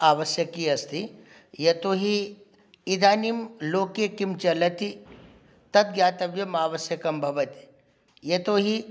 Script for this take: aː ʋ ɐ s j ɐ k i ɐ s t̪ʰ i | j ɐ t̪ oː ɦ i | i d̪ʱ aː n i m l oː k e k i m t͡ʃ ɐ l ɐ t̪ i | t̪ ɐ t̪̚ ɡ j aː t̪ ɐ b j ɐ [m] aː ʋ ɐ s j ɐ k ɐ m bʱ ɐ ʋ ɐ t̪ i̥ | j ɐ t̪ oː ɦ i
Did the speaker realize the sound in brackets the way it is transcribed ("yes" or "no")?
yes